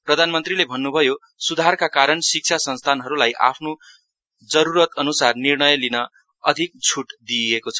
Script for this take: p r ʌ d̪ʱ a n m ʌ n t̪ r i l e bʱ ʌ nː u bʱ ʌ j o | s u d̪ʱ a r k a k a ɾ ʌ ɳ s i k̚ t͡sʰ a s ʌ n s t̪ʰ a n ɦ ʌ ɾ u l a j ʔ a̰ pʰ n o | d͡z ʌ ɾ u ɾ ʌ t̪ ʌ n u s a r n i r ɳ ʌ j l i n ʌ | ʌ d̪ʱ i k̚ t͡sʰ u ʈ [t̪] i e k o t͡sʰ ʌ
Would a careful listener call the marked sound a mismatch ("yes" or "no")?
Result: yes